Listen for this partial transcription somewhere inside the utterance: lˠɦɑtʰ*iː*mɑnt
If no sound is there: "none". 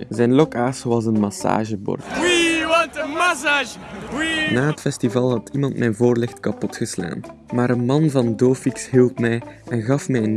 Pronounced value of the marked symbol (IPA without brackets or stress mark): i